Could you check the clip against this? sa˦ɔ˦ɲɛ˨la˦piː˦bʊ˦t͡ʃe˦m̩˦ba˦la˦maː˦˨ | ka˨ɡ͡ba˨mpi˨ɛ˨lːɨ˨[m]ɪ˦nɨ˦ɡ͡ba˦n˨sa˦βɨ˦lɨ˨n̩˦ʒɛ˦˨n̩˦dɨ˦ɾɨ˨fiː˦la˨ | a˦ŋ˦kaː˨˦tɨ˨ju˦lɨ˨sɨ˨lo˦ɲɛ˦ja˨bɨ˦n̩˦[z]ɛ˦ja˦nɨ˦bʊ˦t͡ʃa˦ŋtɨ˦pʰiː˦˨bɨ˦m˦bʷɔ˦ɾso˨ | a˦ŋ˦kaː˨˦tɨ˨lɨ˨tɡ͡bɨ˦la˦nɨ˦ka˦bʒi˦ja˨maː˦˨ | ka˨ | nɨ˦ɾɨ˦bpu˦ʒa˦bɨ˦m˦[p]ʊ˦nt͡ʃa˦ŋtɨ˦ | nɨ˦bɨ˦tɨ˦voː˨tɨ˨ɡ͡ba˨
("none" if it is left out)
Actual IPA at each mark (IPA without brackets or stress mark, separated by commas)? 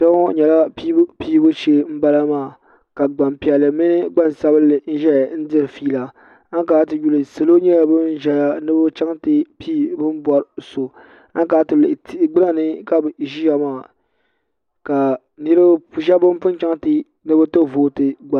m, ʒ, p